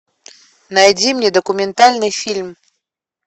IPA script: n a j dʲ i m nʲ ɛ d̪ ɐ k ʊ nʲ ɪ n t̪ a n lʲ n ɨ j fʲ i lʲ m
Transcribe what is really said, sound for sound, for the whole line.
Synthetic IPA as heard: n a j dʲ i m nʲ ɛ d̪ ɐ k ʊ mʲ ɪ n t̪ a lʲ n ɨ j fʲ i lʲ m